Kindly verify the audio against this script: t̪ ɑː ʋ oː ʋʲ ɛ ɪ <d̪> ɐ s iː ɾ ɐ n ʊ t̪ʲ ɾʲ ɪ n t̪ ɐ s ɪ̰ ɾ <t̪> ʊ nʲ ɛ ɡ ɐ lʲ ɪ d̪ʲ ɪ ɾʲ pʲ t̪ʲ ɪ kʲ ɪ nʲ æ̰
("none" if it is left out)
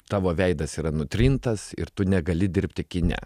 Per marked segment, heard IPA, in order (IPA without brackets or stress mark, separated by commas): d̪, t̪